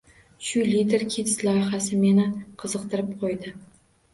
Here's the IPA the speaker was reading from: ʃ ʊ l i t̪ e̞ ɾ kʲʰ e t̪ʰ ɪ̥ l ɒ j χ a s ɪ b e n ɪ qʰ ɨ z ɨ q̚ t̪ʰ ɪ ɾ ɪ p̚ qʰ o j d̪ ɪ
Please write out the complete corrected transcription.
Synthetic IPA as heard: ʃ ʊ l i t̪ e̞ ɾ kʲʰ e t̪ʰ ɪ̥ l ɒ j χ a s ɪ m e n ɪ qʰ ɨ z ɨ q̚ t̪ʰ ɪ ɾ ɪ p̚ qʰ o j d̪ ɪ